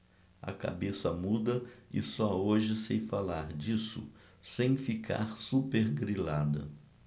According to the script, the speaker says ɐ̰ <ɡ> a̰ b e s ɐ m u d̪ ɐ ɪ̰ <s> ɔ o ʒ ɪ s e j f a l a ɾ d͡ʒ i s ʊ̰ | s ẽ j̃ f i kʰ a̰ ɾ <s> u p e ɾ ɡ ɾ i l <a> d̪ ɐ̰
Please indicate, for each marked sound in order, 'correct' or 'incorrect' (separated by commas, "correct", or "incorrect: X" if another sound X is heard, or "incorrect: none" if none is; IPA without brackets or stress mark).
incorrect: k, correct, correct, correct